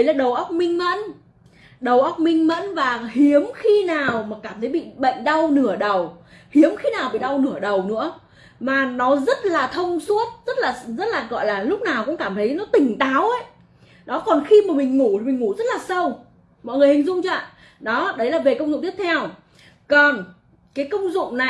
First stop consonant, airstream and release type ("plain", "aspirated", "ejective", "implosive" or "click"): implosive